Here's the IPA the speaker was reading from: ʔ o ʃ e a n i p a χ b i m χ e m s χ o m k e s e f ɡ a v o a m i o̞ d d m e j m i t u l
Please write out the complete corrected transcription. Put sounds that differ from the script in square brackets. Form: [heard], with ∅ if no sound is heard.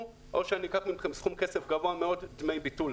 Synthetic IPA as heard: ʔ o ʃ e a n i [k] a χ [m] i m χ e m s χ [u] m k e s e f ɡ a v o a m [e] o̞ d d m e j [b] i t u l